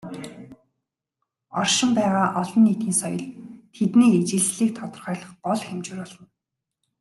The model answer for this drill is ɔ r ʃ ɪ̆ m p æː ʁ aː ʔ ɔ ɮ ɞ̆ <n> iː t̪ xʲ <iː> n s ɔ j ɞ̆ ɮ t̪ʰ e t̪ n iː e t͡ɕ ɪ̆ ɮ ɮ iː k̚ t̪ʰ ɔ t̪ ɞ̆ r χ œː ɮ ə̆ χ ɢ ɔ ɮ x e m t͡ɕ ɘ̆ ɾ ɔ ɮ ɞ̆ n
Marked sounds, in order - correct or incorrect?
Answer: incorrect, correct

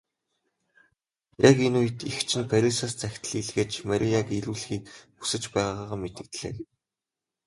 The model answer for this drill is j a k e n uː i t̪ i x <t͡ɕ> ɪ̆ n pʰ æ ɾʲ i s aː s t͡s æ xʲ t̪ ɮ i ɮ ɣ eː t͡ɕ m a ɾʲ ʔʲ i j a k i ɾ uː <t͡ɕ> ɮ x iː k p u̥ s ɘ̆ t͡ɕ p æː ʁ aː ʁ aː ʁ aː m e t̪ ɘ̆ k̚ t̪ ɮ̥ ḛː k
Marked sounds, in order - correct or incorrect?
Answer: incorrect, incorrect

